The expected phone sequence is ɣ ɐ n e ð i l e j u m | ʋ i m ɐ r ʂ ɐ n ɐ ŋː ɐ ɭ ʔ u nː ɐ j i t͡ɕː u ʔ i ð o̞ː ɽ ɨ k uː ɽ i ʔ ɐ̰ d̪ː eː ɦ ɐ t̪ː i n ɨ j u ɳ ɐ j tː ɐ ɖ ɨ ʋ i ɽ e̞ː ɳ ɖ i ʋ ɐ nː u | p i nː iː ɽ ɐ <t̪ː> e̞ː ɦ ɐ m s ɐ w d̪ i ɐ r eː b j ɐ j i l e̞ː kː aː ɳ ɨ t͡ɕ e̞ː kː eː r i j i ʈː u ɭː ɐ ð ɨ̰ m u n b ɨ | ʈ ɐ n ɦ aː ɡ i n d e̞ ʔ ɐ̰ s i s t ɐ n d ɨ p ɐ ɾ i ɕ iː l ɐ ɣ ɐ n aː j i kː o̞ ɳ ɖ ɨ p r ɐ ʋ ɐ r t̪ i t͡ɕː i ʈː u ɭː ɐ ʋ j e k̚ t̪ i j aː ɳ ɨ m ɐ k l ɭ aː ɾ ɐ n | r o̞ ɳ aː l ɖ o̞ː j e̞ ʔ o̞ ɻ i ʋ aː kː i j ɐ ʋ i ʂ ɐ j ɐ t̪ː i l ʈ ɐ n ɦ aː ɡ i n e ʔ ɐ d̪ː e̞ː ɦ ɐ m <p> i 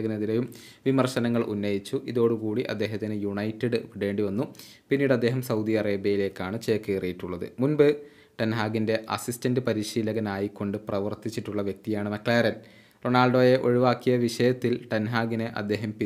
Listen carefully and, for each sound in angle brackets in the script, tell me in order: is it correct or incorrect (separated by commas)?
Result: incorrect, correct